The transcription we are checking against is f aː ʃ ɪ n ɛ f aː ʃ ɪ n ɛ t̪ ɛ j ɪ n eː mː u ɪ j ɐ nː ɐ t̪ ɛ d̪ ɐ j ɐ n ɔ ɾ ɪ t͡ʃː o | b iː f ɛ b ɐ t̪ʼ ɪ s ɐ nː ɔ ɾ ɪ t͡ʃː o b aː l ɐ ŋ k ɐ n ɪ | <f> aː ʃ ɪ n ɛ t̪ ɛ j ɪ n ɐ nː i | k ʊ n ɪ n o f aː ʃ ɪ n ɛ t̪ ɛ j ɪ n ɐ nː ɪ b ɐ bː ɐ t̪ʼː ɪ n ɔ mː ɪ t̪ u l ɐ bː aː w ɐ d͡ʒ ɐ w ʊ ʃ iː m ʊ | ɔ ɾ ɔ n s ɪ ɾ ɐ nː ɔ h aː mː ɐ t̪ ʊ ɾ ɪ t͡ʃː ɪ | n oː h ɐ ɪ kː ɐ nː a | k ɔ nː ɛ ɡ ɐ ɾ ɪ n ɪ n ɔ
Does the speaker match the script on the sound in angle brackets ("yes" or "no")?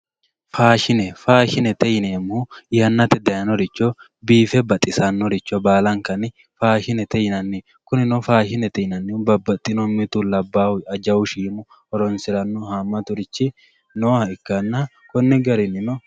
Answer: yes